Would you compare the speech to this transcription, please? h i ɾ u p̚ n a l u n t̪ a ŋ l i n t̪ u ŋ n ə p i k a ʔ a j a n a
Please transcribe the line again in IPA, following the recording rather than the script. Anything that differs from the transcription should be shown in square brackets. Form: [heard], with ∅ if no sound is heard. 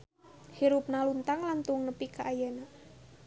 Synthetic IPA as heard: h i ɾ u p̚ n a l u n t̪ a ŋ l [a] n t̪ u ŋ n ə p i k a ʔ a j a n a